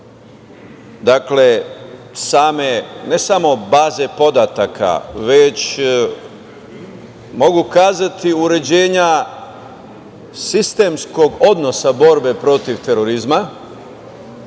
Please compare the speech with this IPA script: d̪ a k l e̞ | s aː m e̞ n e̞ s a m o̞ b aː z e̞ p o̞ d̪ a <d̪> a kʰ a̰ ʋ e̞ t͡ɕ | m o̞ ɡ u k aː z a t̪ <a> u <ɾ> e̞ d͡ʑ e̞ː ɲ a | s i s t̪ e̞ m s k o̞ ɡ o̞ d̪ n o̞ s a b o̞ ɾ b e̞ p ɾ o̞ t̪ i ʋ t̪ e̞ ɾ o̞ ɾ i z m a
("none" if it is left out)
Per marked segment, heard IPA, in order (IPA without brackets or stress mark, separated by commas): t̪, i, ɾ